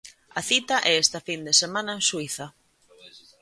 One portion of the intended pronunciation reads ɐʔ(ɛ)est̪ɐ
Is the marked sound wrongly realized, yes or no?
no